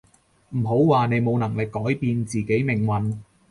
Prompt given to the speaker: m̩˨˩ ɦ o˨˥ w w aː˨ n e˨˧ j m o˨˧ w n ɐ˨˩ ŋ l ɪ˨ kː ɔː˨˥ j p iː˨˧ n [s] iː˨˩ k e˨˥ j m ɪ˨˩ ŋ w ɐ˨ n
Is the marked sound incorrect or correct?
incorrect